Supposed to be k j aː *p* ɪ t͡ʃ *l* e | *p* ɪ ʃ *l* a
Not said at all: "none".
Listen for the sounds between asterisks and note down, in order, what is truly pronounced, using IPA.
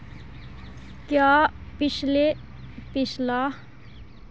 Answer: p, l, p, l

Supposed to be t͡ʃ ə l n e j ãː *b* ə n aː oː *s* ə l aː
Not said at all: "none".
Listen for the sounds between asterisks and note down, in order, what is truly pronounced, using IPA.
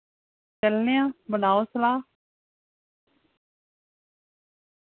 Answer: b, s

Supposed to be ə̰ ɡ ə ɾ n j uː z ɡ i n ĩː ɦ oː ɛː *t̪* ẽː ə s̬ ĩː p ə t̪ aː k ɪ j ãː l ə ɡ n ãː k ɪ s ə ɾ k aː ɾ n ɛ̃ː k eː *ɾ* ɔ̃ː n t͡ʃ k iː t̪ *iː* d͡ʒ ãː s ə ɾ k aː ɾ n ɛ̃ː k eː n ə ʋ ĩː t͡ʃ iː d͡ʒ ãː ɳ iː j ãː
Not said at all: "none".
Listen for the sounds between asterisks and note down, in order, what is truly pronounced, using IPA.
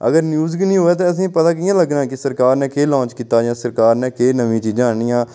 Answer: t̪, l, aː

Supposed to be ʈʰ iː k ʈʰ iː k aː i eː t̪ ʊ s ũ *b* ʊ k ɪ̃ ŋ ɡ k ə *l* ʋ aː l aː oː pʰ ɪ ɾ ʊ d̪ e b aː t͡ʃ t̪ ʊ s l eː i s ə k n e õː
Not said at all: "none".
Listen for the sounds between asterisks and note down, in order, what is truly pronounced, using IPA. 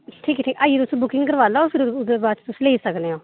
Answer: b, ɾ

